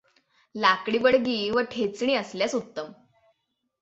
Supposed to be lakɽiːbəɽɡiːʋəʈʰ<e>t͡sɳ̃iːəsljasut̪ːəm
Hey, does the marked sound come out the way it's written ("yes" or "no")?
yes